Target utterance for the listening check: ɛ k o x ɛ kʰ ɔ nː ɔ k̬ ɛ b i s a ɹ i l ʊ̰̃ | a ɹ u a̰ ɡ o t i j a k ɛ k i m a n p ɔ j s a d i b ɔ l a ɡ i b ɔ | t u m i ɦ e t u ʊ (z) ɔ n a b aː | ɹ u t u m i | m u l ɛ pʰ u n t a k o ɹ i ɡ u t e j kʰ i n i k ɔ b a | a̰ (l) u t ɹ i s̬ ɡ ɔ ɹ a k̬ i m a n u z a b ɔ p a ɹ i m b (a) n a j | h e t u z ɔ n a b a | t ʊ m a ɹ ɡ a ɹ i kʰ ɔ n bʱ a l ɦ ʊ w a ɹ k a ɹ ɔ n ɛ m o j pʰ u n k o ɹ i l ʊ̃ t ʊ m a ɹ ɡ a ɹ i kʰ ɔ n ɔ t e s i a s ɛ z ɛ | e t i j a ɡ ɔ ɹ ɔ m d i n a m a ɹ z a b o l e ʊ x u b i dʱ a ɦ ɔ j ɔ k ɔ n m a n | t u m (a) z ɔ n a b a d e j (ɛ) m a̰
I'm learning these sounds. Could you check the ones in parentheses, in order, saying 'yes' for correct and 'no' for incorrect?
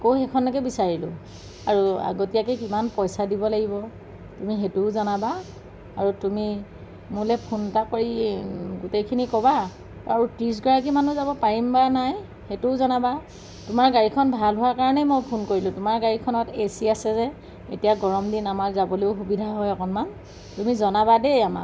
yes, no, yes, no, no

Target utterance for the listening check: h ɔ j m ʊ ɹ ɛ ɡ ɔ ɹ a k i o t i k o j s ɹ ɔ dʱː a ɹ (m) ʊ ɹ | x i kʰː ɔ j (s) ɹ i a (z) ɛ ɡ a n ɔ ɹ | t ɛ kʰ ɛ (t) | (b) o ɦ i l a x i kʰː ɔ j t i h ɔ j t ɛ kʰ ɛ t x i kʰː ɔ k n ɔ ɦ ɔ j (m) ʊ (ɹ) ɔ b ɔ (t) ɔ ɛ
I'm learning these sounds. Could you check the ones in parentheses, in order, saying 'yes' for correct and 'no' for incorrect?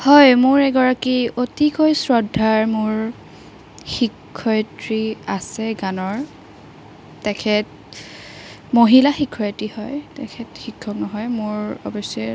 yes, no, no, yes, no, yes, yes, no

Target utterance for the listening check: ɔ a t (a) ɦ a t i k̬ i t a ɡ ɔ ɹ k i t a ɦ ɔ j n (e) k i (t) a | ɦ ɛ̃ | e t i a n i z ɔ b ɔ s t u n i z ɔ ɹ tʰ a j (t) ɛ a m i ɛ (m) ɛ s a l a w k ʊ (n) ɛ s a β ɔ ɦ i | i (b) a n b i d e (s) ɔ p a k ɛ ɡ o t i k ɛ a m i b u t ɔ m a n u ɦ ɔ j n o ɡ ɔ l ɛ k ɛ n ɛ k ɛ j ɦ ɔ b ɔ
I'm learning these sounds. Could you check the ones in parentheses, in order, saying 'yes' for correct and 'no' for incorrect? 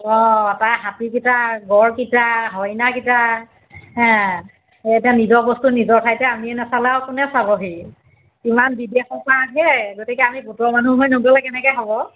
yes, no, yes, yes, no, yes, no, no

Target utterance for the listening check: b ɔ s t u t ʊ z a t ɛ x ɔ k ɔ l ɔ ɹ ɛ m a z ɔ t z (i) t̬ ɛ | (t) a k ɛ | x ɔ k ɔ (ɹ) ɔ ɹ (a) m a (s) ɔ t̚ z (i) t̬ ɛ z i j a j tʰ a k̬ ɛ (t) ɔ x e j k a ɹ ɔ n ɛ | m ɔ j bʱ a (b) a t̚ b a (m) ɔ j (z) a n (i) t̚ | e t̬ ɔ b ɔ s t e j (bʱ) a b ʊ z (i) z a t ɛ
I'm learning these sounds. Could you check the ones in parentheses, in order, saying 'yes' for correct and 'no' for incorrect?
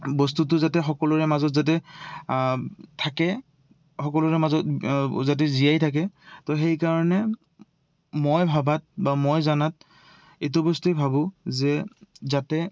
no, no, no, no, no, no, yes, yes, yes, yes, no, yes, no

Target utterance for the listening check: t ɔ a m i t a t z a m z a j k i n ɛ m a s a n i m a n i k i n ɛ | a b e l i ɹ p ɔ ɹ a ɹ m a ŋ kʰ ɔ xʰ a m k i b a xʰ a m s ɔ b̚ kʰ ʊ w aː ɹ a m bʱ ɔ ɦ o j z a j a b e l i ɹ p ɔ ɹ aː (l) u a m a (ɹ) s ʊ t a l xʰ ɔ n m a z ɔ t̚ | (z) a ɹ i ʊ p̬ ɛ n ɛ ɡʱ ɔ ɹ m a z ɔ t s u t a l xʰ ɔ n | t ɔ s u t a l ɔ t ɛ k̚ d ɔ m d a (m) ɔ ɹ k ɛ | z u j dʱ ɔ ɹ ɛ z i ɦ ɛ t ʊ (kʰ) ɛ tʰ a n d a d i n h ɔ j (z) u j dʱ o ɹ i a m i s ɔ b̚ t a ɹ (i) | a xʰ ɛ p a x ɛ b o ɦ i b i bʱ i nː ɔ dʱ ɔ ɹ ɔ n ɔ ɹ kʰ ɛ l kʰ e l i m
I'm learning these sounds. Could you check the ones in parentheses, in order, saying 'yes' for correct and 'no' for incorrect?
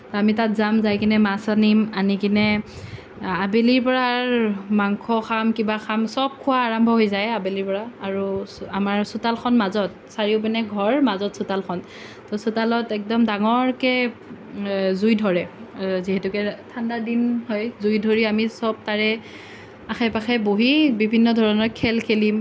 no, yes, no, no, no, yes, no

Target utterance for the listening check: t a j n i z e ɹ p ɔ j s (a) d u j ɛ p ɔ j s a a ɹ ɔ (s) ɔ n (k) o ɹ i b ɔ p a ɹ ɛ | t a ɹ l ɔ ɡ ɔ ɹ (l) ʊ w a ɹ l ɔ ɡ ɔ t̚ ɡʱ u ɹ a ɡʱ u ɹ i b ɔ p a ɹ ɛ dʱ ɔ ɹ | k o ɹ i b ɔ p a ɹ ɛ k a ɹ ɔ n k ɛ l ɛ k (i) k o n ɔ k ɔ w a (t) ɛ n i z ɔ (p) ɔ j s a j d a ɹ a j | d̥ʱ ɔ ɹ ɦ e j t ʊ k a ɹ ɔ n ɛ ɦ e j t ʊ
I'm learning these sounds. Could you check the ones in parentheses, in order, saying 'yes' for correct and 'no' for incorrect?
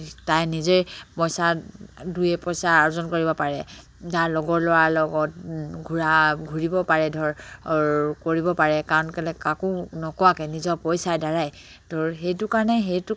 yes, no, yes, yes, no, no, yes

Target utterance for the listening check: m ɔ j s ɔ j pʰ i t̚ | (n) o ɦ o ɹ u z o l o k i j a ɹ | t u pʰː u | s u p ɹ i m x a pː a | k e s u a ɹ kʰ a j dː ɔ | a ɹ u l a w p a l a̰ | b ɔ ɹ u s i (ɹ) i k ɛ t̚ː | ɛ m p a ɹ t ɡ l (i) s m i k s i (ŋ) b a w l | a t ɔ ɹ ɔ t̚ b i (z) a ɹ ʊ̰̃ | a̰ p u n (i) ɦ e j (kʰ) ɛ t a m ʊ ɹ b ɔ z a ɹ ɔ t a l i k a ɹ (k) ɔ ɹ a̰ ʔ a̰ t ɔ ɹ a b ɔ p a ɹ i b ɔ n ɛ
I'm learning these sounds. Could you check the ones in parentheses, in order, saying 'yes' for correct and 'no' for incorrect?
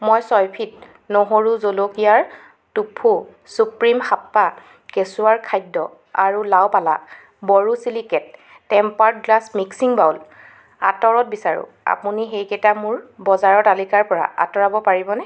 yes, no, no, yes, no, yes, no, no

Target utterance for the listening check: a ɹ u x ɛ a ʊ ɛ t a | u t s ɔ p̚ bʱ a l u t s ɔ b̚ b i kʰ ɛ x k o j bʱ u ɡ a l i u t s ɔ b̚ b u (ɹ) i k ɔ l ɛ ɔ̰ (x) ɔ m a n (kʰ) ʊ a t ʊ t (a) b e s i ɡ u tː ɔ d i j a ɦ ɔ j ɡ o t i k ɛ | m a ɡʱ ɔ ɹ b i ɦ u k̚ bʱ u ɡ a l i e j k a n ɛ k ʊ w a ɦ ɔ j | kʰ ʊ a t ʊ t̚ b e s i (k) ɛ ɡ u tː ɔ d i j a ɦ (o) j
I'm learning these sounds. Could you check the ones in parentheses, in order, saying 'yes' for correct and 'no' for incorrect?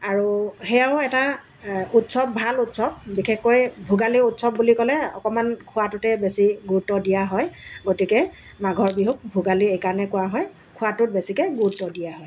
no, no, yes, no, yes, no

